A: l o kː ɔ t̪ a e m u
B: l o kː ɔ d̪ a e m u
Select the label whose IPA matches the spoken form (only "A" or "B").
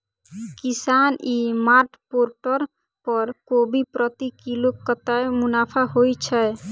A